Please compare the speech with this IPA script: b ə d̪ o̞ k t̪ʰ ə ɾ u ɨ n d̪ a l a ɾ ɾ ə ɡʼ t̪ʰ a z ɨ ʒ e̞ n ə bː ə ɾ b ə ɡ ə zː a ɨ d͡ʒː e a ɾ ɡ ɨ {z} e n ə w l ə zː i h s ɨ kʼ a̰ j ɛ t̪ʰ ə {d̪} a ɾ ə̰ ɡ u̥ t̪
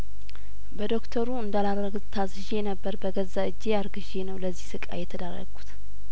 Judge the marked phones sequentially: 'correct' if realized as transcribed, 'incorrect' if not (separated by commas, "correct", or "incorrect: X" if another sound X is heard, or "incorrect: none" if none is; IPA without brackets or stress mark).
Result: incorrect: ʒ, correct